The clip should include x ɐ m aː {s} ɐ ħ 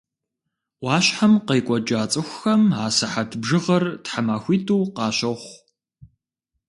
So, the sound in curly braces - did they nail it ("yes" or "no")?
yes